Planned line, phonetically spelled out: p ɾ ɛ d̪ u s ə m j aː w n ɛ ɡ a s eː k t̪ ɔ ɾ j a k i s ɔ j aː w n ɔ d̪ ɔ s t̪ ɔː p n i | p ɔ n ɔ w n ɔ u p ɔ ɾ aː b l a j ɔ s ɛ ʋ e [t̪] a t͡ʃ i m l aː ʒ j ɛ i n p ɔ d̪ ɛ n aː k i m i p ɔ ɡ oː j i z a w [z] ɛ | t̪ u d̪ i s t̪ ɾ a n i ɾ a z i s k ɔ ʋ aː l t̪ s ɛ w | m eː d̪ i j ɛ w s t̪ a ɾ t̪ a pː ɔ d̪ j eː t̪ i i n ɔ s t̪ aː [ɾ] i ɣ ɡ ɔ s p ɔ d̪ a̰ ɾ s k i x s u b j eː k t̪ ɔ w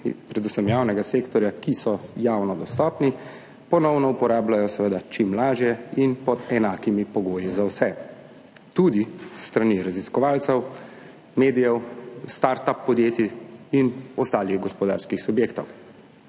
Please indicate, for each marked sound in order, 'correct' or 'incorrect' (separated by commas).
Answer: incorrect, incorrect, incorrect